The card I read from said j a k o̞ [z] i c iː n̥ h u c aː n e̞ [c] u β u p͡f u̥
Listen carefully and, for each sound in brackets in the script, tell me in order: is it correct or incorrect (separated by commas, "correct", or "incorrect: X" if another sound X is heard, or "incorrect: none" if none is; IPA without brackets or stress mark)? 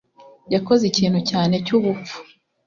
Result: correct, correct